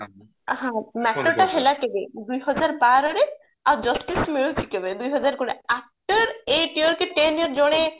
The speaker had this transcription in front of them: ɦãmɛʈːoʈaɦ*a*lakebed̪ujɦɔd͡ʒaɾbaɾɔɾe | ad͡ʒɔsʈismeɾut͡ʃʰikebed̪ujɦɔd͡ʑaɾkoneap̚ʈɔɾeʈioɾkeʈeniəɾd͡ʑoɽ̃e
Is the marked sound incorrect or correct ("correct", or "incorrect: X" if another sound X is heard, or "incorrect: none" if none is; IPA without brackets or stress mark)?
incorrect: e